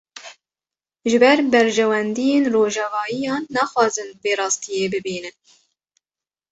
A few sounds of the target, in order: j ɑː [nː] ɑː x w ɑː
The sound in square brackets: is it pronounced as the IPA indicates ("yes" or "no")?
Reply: yes